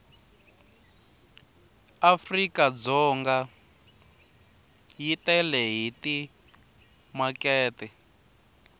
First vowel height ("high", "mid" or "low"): low